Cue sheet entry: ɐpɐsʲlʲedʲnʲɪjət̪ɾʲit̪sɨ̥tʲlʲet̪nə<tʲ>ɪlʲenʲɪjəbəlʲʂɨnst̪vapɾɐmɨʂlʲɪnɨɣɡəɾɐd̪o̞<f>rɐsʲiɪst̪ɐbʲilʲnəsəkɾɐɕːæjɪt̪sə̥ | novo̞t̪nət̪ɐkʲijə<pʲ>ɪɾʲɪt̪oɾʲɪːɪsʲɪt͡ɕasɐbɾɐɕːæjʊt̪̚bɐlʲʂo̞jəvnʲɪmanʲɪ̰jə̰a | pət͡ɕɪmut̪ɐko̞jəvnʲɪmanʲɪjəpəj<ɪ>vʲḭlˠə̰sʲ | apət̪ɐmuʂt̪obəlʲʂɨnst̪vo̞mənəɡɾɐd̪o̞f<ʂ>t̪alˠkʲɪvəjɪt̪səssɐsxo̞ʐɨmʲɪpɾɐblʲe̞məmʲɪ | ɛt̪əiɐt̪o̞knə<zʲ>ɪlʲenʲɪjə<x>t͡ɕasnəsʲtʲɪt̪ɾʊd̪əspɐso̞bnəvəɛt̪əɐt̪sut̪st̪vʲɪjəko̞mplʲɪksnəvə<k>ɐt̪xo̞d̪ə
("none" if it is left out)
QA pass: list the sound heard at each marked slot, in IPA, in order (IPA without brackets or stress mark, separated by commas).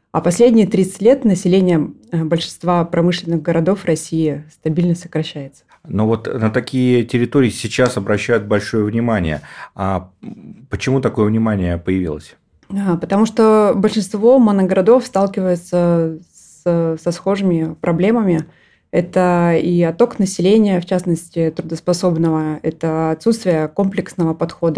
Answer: sʲ, f, tʲ, ɪ, s, sʲ, f, p